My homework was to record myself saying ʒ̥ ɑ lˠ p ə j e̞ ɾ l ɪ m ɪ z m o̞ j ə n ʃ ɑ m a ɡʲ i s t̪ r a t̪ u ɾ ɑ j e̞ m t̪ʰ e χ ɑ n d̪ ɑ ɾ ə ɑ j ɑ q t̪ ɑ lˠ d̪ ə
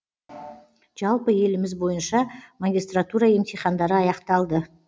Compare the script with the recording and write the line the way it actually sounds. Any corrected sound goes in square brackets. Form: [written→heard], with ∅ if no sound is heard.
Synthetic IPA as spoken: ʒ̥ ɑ lˠ p ə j e̞ [ɾ→∅] l ɪ m ɪ z [m→b] o̞ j ə n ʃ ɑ m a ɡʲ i s t̪ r a t̪ u ɾ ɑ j e̞ m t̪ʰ e χ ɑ n d̪ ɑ ɾ ə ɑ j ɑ q t̪ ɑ lˠ d̪ ə